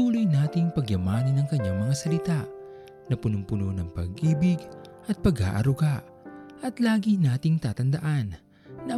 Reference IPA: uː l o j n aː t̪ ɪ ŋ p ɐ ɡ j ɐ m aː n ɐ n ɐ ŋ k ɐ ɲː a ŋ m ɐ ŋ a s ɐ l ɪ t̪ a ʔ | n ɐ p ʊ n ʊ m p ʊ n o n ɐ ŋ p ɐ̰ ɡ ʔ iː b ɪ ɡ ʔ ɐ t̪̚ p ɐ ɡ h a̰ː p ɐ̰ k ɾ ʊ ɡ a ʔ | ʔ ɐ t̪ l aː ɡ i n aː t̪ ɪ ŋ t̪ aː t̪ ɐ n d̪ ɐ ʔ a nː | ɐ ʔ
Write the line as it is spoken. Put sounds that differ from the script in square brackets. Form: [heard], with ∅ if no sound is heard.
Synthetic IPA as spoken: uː l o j n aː t̪ ɪ ŋ p ɐ ɡ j ɐ m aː n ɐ n ɐ ŋ k ɐ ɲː a ŋ m ɐ ŋ a s ɐ l ɪ t̪ a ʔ | n ɐ p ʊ n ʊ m p ʊ n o n ɐ ŋ p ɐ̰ ɡ ʔ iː b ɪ ɡ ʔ ɐ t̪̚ p ɐ ɡ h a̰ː [ʔ] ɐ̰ [∅] ɾ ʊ ɡ a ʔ | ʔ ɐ t̪ l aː ɡ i n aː t̪ ɪ ŋ t̪ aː t̪ ɐ n d̪ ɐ ʔ a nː | ɐ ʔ